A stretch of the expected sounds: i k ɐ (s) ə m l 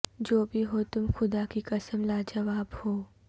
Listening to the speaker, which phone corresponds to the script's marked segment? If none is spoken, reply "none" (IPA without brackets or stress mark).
s